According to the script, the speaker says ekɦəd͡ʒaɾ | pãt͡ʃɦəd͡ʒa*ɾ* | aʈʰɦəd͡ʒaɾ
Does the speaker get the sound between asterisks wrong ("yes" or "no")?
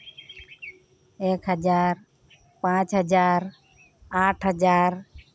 no